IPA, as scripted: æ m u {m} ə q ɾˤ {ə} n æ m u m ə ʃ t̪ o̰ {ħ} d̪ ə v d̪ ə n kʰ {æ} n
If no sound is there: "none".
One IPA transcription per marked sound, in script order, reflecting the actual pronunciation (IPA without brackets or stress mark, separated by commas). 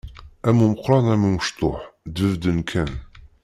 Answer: m, ɑ, ħ, æ